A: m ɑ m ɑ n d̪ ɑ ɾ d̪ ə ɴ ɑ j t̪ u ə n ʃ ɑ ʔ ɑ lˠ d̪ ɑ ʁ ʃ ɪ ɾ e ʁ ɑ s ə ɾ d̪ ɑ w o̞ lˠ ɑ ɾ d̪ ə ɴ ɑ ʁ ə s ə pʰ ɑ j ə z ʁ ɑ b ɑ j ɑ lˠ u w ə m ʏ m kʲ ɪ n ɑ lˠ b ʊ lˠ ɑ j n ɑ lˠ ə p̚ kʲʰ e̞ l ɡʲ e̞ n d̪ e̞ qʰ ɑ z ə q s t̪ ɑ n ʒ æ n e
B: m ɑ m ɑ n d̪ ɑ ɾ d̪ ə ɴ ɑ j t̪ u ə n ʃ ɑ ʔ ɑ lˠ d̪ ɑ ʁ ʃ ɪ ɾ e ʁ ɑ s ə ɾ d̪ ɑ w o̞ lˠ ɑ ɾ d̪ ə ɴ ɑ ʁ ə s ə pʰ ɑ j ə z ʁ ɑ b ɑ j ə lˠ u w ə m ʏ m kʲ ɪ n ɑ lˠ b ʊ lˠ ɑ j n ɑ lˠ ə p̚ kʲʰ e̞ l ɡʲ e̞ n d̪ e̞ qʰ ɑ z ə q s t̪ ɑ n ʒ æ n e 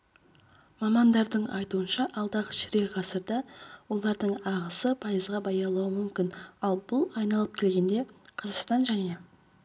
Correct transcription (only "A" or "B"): A